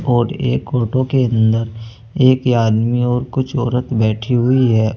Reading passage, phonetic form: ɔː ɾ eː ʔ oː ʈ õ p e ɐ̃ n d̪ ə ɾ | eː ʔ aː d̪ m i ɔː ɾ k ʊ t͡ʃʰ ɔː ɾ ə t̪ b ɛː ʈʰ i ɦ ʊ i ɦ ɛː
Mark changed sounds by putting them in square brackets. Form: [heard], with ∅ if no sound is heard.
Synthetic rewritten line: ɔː ɾ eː [k] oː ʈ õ [k] e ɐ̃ n d̪ ə ɾ | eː [k] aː d̪ m i ɔː ɾ k ʊ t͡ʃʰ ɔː ɾ ə t̪ b ɛː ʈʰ i ɦ ʊ i ɦ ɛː